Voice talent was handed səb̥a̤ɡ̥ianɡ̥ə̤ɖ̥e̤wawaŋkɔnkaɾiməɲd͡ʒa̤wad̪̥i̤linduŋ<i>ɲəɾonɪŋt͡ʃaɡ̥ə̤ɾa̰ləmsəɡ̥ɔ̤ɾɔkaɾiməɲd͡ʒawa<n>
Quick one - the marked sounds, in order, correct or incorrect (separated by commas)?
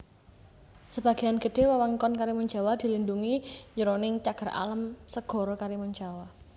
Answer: correct, incorrect